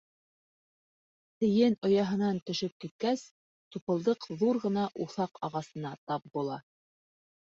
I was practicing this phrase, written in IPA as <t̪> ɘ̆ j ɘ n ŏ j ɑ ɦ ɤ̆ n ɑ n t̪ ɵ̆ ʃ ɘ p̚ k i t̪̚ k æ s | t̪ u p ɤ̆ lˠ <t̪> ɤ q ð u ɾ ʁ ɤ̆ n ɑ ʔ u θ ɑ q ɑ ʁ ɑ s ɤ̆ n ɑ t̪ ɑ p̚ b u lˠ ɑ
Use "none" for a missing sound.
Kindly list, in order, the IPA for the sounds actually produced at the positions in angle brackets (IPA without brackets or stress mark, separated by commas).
t̪, d̪